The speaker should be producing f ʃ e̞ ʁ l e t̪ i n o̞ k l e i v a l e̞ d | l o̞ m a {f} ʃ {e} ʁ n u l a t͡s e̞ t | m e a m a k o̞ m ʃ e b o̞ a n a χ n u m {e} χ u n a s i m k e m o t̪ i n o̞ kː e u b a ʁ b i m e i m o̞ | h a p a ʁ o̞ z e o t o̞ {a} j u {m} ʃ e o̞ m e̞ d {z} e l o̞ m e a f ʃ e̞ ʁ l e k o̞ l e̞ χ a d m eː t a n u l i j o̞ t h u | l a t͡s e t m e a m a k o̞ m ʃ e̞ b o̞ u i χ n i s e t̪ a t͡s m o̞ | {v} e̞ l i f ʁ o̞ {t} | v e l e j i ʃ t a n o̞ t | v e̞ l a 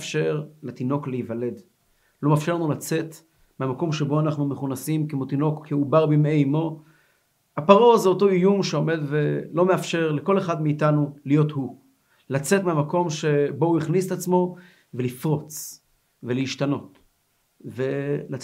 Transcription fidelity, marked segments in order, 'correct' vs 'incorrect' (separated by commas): correct, correct, correct, incorrect, correct, incorrect, correct, incorrect